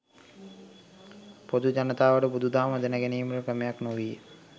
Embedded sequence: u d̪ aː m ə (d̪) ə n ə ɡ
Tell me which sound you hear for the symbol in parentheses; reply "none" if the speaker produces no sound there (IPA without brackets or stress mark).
d̪